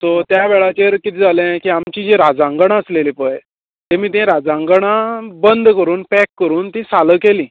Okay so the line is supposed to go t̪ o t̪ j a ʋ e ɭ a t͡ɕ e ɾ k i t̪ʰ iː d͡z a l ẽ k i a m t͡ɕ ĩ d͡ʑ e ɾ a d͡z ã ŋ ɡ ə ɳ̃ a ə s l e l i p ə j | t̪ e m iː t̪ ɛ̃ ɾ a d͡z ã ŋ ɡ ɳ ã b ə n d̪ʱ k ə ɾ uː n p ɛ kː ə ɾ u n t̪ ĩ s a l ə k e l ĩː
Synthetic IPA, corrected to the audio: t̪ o t̪ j a ʋ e ɭ a t͡ɕ e ɾ k i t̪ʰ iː d͡z a l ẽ k i a m t͡ɕ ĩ d͡ʑ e ɾ a d͡z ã ŋ ɡ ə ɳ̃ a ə s l e l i p ə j | t̪ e m iː t̪ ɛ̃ ɾ a d͡z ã ŋ ɡ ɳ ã b ə n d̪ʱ k ə ɾ uː n p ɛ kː ə ɾ uː n t̪ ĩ s a l ə k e l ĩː